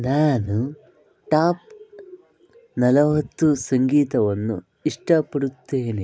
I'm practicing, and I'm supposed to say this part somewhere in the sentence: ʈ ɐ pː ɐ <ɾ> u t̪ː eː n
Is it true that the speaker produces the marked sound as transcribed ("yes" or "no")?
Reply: no